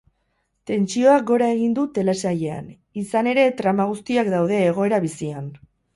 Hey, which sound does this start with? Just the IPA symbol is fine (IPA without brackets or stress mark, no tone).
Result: t̪